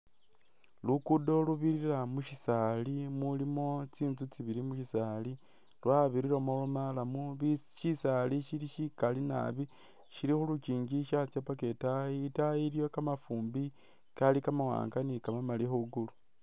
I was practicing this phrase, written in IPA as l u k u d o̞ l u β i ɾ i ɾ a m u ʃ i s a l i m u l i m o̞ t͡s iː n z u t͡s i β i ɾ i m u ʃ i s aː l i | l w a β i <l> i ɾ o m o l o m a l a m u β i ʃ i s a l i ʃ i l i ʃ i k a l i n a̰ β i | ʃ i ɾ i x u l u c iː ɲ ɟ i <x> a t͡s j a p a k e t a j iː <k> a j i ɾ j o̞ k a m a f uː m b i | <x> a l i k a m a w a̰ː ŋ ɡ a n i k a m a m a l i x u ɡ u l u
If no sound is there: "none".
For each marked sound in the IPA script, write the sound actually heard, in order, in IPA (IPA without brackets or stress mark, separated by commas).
ɾ, ʃ, t, k